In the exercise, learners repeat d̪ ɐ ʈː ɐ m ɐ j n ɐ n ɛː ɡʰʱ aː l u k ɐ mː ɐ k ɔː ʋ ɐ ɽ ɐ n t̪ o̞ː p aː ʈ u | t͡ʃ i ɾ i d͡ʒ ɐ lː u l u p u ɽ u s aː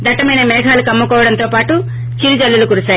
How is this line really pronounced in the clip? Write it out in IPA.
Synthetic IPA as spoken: d̪ ɐ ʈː ɐ m ɐ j n ɐ m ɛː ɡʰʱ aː l u k ɐ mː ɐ k ɔː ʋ ɐ ɽ ɐ n t̪ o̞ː p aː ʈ u | t͡ʃ i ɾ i d͡ʒ ɐ lː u l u k u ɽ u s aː